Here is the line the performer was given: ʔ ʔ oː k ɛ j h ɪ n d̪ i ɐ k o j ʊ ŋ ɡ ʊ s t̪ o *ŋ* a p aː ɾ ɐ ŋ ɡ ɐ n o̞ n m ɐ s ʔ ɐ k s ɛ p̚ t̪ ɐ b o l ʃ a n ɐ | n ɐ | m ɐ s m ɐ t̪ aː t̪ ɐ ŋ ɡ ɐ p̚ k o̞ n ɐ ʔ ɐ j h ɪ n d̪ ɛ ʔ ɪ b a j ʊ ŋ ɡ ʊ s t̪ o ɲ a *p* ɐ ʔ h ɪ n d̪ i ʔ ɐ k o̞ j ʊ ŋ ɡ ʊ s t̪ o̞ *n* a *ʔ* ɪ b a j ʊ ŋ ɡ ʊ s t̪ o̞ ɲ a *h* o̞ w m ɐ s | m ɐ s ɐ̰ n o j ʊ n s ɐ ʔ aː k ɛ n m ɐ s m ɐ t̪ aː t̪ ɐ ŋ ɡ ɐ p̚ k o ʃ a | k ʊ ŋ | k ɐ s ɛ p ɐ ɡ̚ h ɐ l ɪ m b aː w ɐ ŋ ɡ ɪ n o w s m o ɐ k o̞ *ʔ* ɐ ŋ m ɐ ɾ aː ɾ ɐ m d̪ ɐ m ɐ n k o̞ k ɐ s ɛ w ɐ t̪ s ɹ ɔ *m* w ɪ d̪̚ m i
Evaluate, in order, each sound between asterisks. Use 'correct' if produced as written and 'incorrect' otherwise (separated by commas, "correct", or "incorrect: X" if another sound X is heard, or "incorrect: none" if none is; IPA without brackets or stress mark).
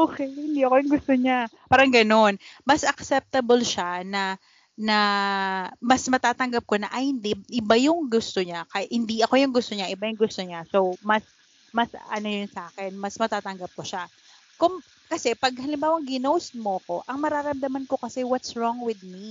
incorrect: ɲ, incorrect: k, incorrect: ɲ, correct, incorrect: s, correct, incorrect: ŋ